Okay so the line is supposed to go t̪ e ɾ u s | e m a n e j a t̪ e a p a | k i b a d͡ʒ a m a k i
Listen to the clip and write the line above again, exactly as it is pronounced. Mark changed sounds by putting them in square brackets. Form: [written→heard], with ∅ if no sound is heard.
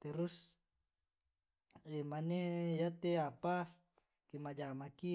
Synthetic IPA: t̪ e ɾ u s | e m a n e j a t̪ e a p a | k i [b→m] a d͡ʒ a m a k i